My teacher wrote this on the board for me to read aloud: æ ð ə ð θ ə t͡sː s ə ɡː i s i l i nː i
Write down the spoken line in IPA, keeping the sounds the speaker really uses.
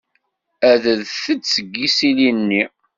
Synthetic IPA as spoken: æ ð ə ð θ ə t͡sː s ə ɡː i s i l i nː i